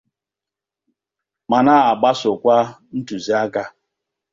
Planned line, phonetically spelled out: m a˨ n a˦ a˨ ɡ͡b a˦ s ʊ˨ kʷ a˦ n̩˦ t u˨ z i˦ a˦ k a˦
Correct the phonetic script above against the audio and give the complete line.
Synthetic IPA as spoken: m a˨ n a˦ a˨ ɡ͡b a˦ s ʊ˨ kʷ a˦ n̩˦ t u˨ z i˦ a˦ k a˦